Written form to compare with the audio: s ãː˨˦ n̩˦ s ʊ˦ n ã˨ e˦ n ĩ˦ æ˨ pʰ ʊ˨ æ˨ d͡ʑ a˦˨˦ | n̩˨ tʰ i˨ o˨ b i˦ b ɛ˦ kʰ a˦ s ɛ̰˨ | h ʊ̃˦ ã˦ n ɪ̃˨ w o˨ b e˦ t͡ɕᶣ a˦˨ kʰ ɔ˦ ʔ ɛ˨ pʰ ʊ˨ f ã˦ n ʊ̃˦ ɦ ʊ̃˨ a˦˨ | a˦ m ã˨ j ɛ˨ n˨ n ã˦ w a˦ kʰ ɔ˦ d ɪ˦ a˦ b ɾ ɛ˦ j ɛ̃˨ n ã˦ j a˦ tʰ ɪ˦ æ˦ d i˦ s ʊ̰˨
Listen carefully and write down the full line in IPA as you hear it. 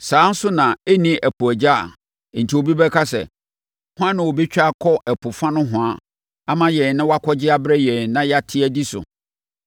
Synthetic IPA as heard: s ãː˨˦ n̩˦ s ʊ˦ n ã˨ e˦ n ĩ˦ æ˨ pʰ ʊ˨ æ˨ d͡ʑ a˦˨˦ | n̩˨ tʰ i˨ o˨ b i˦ b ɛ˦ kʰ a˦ s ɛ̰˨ | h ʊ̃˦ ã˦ n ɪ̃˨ w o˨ b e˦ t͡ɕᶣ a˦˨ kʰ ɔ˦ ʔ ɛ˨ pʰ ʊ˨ f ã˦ n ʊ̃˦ ɦ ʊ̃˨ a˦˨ | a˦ m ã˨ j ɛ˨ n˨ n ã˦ w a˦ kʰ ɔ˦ d͡ʑ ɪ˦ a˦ b ɾ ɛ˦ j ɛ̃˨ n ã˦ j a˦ tʰ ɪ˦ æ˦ d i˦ s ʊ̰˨